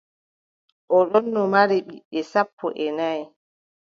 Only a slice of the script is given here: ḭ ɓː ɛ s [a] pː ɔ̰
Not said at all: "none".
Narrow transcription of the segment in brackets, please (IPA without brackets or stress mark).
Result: a